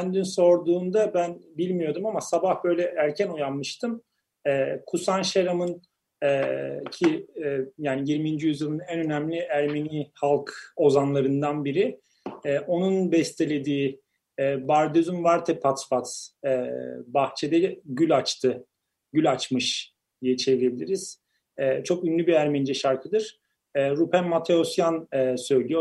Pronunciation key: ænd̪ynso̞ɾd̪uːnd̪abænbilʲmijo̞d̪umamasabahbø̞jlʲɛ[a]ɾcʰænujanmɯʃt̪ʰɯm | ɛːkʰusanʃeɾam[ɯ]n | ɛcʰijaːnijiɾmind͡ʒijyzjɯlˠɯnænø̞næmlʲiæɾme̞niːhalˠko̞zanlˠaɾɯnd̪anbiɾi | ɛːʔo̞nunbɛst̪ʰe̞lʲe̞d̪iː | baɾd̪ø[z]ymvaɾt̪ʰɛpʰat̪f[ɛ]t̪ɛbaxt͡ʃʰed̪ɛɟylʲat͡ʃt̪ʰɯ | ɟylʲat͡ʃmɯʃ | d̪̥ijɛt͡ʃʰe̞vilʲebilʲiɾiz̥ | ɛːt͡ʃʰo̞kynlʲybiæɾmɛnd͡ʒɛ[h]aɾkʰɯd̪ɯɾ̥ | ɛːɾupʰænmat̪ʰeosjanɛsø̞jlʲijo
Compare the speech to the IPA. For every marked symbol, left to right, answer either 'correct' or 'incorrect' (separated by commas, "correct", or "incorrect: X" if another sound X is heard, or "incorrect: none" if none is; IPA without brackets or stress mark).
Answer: incorrect: æ, correct, correct, incorrect: a, incorrect: ʃ